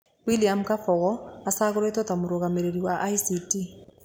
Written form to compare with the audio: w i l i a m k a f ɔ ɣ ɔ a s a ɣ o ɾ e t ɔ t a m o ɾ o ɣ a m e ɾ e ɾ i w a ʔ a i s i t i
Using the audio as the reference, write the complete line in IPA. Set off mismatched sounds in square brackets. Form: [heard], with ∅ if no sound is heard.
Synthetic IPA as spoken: w i l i a m k a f ɔ ɣ ɔ a s a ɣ o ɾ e t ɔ t a m o ɾ o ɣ a m e ɾ e ɾ i w a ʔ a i s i t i

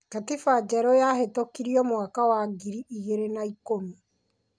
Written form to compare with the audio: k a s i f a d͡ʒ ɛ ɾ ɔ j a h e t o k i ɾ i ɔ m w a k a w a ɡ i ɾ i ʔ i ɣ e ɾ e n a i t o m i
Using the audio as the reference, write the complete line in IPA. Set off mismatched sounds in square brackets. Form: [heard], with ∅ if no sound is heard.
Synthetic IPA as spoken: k a [t] i f a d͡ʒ ɛ ɾ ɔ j a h e t o k i ɾ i ɔ m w a k a w a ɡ i ɾ i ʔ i ɣ e ɾ e n a i [k] o m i

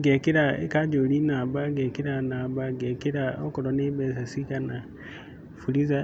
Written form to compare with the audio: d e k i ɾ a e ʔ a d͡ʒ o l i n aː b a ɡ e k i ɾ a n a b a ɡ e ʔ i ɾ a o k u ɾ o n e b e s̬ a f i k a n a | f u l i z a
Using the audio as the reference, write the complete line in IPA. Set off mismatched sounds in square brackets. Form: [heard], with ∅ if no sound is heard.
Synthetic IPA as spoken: [ɡ] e k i ɾ a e [k] a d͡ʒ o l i n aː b a ɡ e k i ɾ a n a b a ɡ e [k] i ɾ a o k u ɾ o n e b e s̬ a [s] i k a n a | f u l i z a

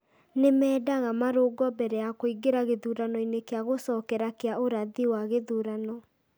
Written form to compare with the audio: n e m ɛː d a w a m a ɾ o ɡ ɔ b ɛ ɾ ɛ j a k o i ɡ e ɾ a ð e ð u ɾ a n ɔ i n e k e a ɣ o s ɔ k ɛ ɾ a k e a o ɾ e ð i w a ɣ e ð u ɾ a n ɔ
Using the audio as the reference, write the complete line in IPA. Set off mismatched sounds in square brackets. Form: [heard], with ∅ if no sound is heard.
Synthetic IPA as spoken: n e m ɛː d a [ɣ] a m a ɾ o ɡ ɔ b ɛ ɾ ɛ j a k o i ɡ e ɾ a [ɣ] e ð u ɾ a n ɔ i n e k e a ɣ o s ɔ k ɛ ɾ a k e a o ɾ [a] ð i w a ɣ e ð u ɾ a n ɔ

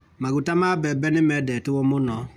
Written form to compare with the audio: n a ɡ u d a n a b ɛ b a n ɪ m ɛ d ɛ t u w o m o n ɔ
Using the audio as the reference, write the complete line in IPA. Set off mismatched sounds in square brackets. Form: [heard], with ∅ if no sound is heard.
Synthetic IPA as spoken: [m] a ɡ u [t] a [m] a b ɛ b [ɛ] n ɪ m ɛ d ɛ t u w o m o n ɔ

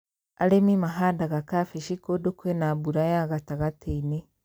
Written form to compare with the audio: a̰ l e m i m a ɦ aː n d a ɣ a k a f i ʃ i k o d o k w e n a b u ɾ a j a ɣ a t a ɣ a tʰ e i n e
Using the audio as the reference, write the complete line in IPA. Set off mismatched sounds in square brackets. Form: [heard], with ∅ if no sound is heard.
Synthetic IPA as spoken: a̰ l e m i m a ɦ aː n d a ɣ a k a f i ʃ i k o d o k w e n a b u ɾ a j a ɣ a t a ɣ a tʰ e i n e

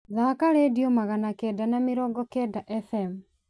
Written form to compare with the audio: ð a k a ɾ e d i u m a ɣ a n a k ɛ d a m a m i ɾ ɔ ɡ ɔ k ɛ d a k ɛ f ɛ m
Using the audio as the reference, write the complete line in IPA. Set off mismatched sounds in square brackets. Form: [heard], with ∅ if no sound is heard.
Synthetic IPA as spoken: ð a k a ɾ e d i [o] m a ɣ a n a k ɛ d a [n] a m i ɾ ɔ ɡ ɔ k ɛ d a [ʔ] ɛ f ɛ m

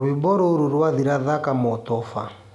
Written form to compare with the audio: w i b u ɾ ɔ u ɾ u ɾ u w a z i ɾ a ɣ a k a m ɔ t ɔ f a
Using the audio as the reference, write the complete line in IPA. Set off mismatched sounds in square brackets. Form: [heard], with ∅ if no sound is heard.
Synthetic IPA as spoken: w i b [ɔ] ɾ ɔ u ɾ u ɾ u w a [ð] i ɾ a [ð] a k a m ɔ t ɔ f a

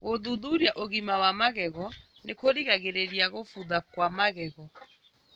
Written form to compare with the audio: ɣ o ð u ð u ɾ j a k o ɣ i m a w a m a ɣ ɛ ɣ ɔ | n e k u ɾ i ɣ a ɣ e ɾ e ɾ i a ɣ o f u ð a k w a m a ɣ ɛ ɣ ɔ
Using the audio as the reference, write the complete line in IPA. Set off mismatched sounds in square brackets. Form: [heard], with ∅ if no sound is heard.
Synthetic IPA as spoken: ɣ o ð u ð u ɾ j a [ʔ] o ɣ i m a w a m a ɣ ɛ ɣ ɔ | n e k [o] ɾ i ɣ a ɣ e ɾ e ɾ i a ɣ o f u ð a k w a m a ɣ ɛ ɣ ɔ

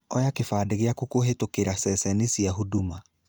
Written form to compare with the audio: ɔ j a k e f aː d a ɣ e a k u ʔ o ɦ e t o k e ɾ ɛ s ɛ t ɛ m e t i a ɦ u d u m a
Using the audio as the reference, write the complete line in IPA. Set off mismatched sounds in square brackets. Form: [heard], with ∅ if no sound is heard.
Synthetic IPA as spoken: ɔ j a k e f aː d [e] ɣ e a k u [k] o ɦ e t o k e ɾ [a] s ɛ [s] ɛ [n] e [s] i a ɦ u d u m a

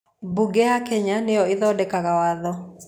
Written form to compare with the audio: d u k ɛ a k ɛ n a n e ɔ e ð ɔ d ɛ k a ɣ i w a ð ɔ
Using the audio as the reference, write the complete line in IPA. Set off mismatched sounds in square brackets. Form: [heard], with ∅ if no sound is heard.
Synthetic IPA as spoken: [b] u [ɡ] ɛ a k ɛ [ɲ] a n e ɔ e ð ɔ d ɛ k a ɣ [a] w a ð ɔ

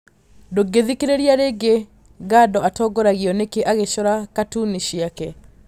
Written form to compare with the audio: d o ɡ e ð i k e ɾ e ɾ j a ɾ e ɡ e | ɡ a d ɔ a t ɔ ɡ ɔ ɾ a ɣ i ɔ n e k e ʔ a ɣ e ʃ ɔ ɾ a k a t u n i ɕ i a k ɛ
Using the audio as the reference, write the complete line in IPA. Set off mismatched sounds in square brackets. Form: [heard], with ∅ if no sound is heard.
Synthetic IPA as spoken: d o ɡ e ð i k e ɾ e ɾ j a ɾ e ɡ e | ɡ a d ɔ a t ɔ ɡ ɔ ɾ a ɣ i ɔ n e k e ʔ a ɣ e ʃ ɔ ɾ a k a t u n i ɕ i a k ɛ

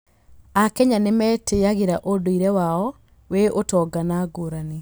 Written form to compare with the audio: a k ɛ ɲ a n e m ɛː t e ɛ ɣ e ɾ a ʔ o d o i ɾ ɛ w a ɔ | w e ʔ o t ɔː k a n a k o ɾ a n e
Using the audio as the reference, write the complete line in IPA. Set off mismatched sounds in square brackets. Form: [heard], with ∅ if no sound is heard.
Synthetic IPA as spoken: a k ɛ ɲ a n e m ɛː t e [a] ɣ e ɾ a ʔ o d o i ɾ ɛ w a ɔ | w e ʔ o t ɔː [ɡ] a n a [ɡ] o ɾ a n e

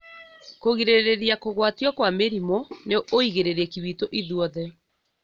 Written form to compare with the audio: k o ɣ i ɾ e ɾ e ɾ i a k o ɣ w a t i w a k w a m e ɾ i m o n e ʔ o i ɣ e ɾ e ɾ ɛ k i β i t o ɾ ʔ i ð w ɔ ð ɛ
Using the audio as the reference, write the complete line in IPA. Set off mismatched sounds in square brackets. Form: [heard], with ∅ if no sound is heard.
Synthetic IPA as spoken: k o ɣ i ɾ e ɾ e ɾ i a k o ɣ w a t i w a k w a m e ɾ i m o n e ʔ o i ɣ e ɾ e ɾ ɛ k i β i t o [∅] ʔ i ð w ɔ ð ɛ

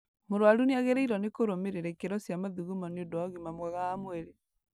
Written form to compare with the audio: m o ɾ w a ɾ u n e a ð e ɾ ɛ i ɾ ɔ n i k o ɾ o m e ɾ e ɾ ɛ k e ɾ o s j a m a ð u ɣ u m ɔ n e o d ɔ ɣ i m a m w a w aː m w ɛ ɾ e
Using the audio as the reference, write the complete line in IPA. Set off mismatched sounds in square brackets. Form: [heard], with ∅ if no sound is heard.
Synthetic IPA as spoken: m o ɾ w a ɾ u n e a [ɣ] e ɾ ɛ i ɾ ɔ n [e] k o ɾ o m e ɾ e ɾ ɛ k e ɾ [ɔ] s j a m a ð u ɣ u m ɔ n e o d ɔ ɣ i m a m w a [ɣ] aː m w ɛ ɾ e

